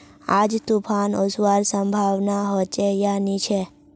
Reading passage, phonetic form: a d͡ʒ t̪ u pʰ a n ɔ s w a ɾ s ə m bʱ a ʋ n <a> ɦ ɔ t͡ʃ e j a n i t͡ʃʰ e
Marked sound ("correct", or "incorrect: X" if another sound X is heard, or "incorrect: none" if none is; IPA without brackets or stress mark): correct